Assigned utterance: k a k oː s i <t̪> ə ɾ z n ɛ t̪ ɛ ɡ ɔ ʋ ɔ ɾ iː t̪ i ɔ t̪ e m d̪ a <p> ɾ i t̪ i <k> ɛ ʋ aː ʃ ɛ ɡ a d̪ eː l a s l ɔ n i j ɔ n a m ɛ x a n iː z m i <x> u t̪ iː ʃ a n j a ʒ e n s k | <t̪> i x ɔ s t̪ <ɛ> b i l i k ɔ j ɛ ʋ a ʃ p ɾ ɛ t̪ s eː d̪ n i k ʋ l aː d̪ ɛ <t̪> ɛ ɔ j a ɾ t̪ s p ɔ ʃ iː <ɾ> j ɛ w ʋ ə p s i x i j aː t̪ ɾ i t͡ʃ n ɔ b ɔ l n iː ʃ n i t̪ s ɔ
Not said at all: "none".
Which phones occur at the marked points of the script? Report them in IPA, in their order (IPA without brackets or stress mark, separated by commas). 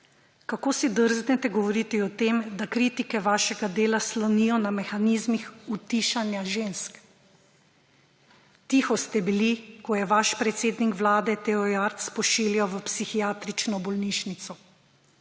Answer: d̪, k, k, x, t̪, ɛ, t̪, l